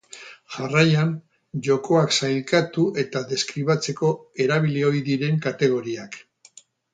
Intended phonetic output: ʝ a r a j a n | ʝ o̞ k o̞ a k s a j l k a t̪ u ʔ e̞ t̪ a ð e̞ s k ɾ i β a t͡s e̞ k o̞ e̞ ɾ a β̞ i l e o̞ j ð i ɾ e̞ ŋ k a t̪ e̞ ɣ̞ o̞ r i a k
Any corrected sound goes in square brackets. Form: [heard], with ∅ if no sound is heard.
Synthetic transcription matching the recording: ʝ a r a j a n | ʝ o̞ k o̞ a k s a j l k a t̪ u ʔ e̞ t̪ a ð e̞ s k ɾ i β a t͡s e̞ k o̞ e̞ ɾ a β̞ i l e o̞ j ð i ɾ e̞ ŋ k a t̪ e̞ ɣ̞ o̞ [ɾ] i a k

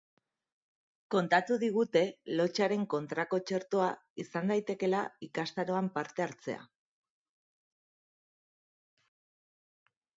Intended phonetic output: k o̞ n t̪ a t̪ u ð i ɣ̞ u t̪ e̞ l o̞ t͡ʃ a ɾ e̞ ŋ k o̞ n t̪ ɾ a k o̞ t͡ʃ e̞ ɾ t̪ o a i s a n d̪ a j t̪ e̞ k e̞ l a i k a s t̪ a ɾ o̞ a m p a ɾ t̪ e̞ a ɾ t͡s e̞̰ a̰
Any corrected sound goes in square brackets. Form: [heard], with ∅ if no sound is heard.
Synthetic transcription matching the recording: k o̞ n t̪ a t̪ u ð i ɣ̞ u t̪ e̞ l o̞ t͡ʃ a ɾ e̞ ŋ k o̞ n t̪ ɾ a k o̞ t͡ʃ e̞ ɾ t̪ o a i s a n d̪ a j t̪ e̞ k e̞ l a i k a s t̪ a ɾ o̞ a m p a ɾ t̪ e̞ a ɾ t͡s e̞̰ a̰

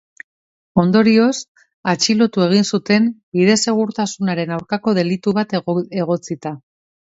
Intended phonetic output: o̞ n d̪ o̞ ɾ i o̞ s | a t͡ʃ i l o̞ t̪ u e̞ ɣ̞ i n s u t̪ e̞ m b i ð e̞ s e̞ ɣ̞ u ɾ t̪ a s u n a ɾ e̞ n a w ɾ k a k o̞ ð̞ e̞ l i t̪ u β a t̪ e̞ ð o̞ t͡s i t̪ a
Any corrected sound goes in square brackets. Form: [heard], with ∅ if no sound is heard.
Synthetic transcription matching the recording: o̞ n d̪ o̞ ɾ i o̞ s | a t͡ʃ i l o̞ t̪ u e̞ ɣ̞ i n s u t̪ e̞ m b i ð e̞ s e̞ ɣ̞ u ɾ t̪ a s u n a ɾ e̞ n a w ɾ k a k o̞ ð̞ e̞ l i t̪ u β a t̪ e̞ [ɣ] o̞ t͡s i t̪ a

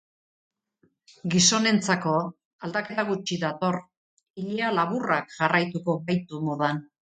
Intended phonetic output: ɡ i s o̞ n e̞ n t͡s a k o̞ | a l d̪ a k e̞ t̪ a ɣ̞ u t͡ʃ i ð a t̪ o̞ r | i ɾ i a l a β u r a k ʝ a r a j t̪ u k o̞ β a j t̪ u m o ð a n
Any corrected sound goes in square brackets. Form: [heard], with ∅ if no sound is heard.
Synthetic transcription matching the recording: ɡ i s o̞ n e̞ n t͡s a k o̞ | a l d̪ a k e̞ t̪ a ɣ̞ u t͡ʃ i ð a t̪ o̞ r | i [ʎ] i a l a β u r a k ʝ a r a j t̪ u k o̞ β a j t̪ u m o ð a n

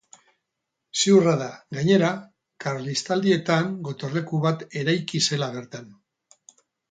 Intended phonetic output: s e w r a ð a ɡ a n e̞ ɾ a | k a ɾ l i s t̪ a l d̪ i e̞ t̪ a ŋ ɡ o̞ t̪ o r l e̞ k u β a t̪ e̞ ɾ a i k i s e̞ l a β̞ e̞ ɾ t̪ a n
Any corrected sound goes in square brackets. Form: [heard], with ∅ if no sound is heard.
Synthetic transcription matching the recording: s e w r a ð a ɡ a [ɲ] e̞ ɾ a | k a ɾ l i s t̪ a l d̪ i e̞ t̪ a ŋ ɡ o̞ t̪ o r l e̞ k u β a t̪ e̞ ɾ a [j] k i s e̞ l a β̞ e̞ ɾ t̪ a n

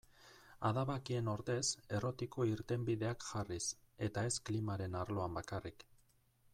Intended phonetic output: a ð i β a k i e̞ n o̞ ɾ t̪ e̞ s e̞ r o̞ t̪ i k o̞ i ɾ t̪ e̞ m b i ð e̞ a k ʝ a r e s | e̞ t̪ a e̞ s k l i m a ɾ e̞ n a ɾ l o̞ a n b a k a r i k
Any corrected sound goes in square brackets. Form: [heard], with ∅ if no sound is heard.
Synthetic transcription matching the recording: a ð [a] β a k i e̞ n o̞ ɾ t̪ e̞ s e̞ r o̞ t̪ i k o̞ i ɾ t̪ e̞ m b i ð e̞ a k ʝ a r [i] s | e̞ t̪ a e̞ s k l i m a ɾ e̞ n a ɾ l o̞ a [m] b a k a r i k

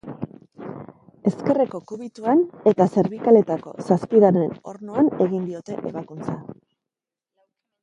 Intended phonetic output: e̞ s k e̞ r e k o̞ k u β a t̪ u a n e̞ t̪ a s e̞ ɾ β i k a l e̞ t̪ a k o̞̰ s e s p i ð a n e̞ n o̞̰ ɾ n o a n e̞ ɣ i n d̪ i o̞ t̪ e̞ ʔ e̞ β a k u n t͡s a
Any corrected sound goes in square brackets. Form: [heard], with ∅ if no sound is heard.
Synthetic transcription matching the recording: e̞ s k e̞ r e k o̞ k u β [i] t̪ u a n e̞ t̪ a s e̞ ɾ β i k a l e̞ t̪ a k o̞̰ s [a] s p i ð a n e̞ n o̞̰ ɾ n o a n e̞ ɣ i n d̪ i o̞ t̪ e̞ ʔ e̞ β a k u n t͡s a

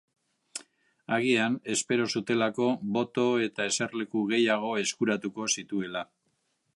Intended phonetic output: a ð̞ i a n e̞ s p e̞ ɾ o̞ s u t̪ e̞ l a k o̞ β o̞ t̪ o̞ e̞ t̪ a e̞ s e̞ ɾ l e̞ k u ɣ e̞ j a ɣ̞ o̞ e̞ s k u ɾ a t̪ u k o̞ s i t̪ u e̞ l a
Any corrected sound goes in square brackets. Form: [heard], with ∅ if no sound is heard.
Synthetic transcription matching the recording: a [ɣ̞] i a n e̞ s p e̞ ɾ o̞ s u t̪ e̞ l a k o̞ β o̞ t̪ o̞ e̞ t̪ a e̞ s e̞ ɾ l e̞ k u ɣ e̞ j a ɣ̞ o̞ e̞ s k u ɾ a t̪ u k o̞ s i t̪ u e̞ l a

